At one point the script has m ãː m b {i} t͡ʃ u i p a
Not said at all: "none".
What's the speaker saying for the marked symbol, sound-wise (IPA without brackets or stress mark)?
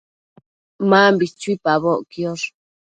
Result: i